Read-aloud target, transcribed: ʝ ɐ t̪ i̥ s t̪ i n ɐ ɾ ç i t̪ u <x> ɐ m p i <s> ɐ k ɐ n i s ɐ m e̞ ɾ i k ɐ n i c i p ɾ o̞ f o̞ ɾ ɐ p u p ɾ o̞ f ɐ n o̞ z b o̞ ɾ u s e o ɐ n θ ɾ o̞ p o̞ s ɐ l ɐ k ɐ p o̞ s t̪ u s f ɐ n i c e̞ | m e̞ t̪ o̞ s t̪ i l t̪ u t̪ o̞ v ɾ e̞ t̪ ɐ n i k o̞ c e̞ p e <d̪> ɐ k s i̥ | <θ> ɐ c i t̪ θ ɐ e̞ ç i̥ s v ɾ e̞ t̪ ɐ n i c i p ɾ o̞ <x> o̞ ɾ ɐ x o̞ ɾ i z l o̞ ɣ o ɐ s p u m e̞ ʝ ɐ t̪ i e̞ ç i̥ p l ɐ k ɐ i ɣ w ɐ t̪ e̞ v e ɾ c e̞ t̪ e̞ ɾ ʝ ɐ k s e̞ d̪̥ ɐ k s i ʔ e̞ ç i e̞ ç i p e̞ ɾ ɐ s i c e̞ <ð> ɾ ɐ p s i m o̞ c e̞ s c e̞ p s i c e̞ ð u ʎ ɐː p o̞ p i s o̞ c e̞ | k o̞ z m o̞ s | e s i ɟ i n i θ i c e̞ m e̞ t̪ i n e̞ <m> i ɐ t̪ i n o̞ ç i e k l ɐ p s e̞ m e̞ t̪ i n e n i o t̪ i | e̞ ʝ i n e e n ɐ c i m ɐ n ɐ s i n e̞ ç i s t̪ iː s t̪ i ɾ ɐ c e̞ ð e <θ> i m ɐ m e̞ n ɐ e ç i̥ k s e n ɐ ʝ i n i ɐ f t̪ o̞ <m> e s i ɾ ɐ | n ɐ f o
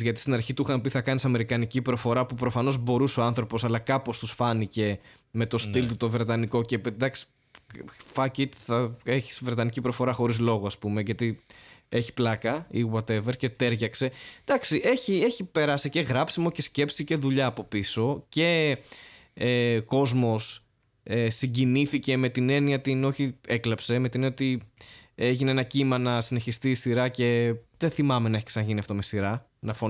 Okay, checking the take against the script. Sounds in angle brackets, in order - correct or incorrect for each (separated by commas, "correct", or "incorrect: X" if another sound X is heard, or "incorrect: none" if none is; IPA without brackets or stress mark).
correct, incorrect: θ, correct, incorrect: f, incorrect: f, incorrect: ɣ, incorrect: n, correct, correct